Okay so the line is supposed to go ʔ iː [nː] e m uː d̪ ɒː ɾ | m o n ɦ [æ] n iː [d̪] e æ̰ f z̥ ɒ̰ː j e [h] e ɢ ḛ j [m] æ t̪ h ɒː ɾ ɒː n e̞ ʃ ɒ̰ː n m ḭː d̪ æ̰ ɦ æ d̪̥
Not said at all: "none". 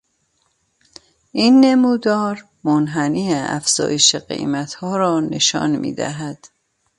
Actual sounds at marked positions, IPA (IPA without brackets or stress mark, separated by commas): nː, æ, none, ʃ, m